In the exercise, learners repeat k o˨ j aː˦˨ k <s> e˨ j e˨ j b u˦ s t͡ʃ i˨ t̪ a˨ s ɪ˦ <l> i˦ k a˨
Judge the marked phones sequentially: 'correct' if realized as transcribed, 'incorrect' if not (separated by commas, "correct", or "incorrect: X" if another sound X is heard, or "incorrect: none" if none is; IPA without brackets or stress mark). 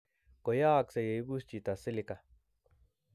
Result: correct, correct